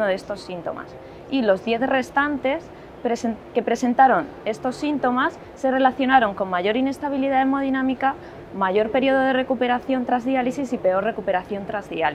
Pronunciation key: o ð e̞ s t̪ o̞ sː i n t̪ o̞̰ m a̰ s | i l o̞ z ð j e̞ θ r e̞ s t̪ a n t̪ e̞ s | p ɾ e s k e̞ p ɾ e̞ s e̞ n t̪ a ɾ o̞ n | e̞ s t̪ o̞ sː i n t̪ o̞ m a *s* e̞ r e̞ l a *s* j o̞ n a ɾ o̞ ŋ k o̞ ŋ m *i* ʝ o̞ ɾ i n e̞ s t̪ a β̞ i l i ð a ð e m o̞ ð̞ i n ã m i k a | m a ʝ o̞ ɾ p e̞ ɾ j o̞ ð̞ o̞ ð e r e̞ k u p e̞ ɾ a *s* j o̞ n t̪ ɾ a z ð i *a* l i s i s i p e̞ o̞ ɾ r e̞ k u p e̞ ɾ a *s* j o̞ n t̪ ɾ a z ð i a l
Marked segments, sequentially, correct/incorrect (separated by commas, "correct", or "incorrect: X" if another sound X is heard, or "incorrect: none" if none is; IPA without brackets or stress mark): incorrect: sː, incorrect: θ, incorrect: a, incorrect: θ, correct, incorrect: θ